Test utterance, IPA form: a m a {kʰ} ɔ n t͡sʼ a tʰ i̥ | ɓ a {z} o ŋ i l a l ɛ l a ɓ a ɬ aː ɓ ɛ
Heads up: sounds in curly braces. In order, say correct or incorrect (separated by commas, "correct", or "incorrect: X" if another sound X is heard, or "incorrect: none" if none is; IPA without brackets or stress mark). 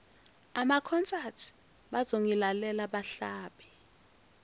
correct, correct